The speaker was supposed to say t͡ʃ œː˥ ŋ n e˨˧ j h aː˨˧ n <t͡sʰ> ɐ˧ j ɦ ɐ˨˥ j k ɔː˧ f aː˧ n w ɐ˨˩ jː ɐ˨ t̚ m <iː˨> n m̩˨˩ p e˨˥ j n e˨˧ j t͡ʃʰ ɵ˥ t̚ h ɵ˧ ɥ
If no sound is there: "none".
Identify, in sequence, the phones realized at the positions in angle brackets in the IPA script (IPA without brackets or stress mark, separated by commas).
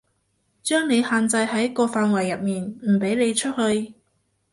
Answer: t͡s, iː˨